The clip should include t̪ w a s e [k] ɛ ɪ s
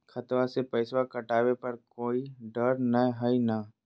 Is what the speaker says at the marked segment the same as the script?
no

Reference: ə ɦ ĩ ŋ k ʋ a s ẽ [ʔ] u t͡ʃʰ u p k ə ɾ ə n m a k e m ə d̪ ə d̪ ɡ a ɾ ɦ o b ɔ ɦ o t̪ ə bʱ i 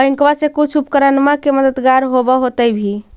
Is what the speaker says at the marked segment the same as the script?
no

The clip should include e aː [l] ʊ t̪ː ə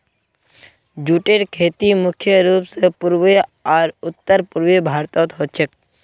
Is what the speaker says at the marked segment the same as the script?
no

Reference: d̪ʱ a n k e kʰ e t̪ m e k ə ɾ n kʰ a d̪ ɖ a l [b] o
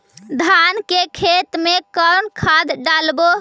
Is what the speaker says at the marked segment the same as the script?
yes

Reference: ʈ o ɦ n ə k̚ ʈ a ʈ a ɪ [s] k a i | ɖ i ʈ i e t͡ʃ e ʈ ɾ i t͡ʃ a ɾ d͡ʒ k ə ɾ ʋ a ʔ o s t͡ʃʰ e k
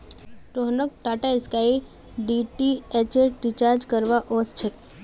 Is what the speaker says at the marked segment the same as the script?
yes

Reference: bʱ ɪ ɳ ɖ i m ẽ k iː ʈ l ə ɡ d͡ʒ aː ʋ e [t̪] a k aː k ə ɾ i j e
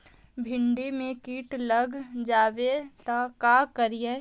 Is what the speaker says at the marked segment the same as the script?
yes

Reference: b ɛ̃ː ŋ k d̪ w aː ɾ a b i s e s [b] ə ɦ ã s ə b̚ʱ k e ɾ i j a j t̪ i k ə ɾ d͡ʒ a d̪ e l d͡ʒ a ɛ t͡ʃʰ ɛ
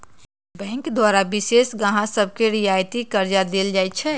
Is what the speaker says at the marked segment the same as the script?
no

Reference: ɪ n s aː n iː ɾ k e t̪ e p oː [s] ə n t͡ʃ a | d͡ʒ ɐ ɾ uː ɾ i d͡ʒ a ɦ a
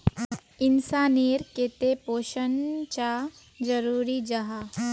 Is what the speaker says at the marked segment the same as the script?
no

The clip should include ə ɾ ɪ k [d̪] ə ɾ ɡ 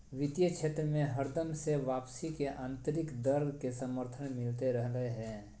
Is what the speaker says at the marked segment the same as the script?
yes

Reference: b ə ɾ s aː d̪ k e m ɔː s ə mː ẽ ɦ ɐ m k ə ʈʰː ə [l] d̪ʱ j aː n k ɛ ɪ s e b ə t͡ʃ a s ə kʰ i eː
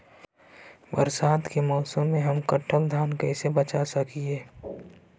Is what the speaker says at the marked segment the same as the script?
yes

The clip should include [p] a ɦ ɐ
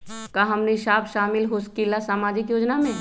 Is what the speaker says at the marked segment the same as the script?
no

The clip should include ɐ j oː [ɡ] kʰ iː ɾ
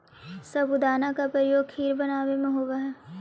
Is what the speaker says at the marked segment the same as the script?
yes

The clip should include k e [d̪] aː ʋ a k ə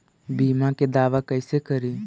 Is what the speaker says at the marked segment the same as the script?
yes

